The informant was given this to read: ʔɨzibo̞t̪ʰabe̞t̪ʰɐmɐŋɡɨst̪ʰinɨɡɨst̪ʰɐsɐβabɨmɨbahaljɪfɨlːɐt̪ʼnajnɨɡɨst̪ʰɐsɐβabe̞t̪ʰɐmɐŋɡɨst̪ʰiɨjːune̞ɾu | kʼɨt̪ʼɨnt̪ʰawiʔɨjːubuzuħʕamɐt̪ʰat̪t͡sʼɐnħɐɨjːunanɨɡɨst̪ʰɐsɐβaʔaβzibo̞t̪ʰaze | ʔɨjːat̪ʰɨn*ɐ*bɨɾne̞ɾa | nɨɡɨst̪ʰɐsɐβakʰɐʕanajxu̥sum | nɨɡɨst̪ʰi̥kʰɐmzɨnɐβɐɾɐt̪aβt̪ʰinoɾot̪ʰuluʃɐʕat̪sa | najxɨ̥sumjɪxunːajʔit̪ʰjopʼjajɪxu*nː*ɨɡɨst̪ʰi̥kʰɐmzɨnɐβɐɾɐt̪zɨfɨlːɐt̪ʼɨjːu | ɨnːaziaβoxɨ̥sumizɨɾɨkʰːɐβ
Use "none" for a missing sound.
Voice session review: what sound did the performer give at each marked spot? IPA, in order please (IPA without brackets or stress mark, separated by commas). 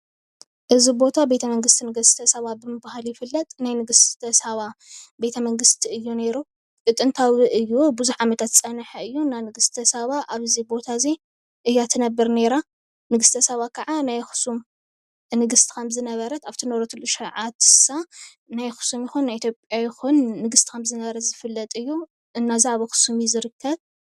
ɐ, nː